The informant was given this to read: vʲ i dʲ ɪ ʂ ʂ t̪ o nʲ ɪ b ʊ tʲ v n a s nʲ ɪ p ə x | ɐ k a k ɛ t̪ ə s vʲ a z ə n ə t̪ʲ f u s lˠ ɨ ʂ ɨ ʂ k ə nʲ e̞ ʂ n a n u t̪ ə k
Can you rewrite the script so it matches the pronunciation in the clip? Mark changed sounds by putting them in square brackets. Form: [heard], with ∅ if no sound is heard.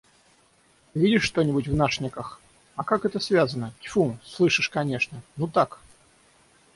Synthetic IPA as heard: vʲ i dʲ ɪ ʂ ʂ t̪ o nʲ ɪ b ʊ tʲ v n a [ʂ] nʲ ɪ [k] ə x | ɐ k a k ɛ t̪ ə s vʲ a z ə n ə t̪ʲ f u s lˠ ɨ ʂ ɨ ʂ k [ɐ] nʲ e̞ ʂ n [ə] n u t̪ [a] k

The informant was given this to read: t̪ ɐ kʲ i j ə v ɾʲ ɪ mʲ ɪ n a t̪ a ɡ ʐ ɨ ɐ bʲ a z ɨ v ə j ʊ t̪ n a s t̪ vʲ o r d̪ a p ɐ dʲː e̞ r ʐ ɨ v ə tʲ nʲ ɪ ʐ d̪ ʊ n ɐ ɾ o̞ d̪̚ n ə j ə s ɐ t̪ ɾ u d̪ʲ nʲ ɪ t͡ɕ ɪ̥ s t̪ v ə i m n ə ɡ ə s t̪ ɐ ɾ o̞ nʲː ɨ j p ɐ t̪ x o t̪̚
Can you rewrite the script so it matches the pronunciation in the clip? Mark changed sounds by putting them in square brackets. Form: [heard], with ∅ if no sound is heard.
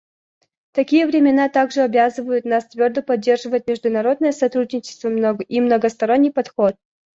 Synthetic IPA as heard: t̪ ɐ kʲ i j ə v ɾʲ ɪ mʲ ɪ n a t̪ a ɡ ʐ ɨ ɐ bʲ a z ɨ v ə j ʊ t̪ n a s t̪ vʲ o r d̪ [ə] p ɐ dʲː e̞ r ʐ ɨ v ə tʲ [mʲ] ɪ ʐ d̪ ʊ n ɐ ɾ o̞ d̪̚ n ə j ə s ɐ t̪ ɾ u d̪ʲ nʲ ɪ t͡ɕ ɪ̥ s t̪ v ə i m n ə ɡ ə s t̪ ɐ ɾ o̞ nʲː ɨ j p ɐ t̪ x o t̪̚

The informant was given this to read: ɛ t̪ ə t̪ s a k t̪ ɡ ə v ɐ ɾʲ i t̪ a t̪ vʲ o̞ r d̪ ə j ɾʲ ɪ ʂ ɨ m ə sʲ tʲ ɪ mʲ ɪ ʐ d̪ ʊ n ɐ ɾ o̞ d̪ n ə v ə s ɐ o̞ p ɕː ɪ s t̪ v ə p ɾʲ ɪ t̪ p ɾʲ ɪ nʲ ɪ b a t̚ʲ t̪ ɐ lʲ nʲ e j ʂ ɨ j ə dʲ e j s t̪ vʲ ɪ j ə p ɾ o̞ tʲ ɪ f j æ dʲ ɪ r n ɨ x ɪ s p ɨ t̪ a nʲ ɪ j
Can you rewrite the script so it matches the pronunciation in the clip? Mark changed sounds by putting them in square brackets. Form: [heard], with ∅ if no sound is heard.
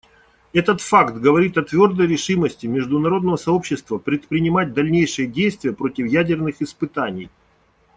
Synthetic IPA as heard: ɛ t̪ ə t̪ [f] a k t̪ ɡ ə v ɐ ɾʲ i t̪ [ɐ] t̪ vʲ o̞ r d̪ ə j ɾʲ ɪ ʂ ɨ m ə sʲ tʲ ɪ mʲ ɪ ʐ d̪ ʊ n ɐ ɾ o̞ d̪ n ə v ə s ɐ o̞ p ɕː ɪ s t̪ v ə p ɾʲ ɪ t̪ p ɾʲ ɪ nʲ ɪ [m] a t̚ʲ [d̪] ɐ lʲ nʲ e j ʂ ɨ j ə dʲ e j s t̪ vʲ ɪ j ə p ɾ o̞ tʲ ɪ f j æ dʲ ɪ r n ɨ x ɪ s p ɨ t̪ a nʲ ɪ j

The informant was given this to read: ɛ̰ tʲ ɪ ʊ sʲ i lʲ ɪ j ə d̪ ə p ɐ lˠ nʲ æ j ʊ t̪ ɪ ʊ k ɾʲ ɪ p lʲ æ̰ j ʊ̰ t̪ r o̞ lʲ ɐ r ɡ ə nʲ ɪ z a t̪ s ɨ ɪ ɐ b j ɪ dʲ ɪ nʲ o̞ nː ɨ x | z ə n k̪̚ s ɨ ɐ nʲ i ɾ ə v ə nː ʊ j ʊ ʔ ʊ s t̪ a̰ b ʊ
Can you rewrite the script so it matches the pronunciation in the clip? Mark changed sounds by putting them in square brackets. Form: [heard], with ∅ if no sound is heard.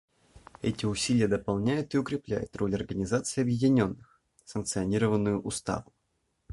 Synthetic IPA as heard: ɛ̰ tʲ ɪ ʊ sʲ i lʲ ɪ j ə d̪ ə p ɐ lˠ nʲ æ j ʊ t̪ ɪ ʊ k ɾʲ ɪ p lʲ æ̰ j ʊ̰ t̪ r o̞ lʲ ɐ r ɡ ə nʲ ɪ z a t̪ s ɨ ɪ ɐ b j ɪ dʲ ɪ nʲ o̞ nː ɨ x | [s] ə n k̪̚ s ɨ ɐ nʲ i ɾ ə v ə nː ʊ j ʊ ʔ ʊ s t̪ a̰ [v] ʊ

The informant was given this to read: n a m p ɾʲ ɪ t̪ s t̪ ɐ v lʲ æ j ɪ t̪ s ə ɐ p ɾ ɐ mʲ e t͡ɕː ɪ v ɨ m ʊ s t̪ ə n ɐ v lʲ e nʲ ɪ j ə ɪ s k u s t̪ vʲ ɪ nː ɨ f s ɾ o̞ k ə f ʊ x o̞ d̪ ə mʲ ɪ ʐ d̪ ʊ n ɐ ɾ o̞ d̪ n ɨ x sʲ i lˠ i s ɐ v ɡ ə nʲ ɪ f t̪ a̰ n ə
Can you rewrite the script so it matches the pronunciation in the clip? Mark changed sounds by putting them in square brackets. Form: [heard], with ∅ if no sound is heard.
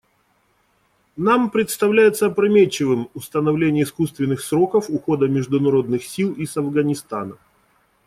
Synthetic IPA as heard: n a m p ɾʲ ɪ t̪ s t̪ ɐ v lʲ æ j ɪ t̪ s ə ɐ p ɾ ɐ mʲ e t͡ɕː ɪ v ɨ m ʊ s t̪ ə n ɐ v lʲ e nʲ ɪ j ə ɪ s k u s t̪ vʲ ɪ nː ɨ [x] s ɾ o̞ k ə f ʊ x o̞ d̪ ə mʲ ɪ ʐ d̪ ʊ n ɐ ɾ o̞ d̪ n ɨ x sʲ i lˠ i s ɐ v ɡ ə nʲ ɪ [s] t̪ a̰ n ə

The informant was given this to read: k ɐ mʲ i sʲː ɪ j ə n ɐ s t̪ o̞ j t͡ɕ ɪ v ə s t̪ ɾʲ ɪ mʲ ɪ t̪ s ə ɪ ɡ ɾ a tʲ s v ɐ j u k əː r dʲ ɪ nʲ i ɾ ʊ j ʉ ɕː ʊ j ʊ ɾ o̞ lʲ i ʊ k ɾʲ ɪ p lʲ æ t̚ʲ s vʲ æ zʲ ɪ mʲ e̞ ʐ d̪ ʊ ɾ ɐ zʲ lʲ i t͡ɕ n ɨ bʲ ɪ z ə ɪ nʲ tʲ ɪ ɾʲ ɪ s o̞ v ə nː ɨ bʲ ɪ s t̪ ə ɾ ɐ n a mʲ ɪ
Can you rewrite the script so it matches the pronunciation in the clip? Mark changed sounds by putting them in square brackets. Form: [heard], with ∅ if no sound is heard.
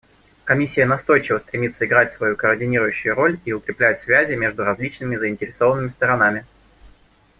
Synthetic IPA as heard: k ɐ mʲ i sʲː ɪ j ə n ɐ s t̪ o̞ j t͡ɕ ɪ v ə s t̪ ɾʲ ɪ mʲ [i] t̪ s ə ɪ ɡ ɾ a tʲ s v ɐ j u k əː r dʲ ɪ nʲ i ɾ ʊ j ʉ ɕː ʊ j ʊ ɾ o̞ lʲ i ʊ k ɾʲ ɪ p lʲ æ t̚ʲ s vʲ æ zʲ ɪ mʲ e̞ ʐ d̪ ʊ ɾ ɐ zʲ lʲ i t͡ɕ n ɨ [mʲ] ɪ z ə ɪ nʲ tʲ ɪ ɾʲ ɪ s o̞ v ə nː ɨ [mʲ] ɪ s t̪ ə ɾ ɐ n a mʲ ɪ

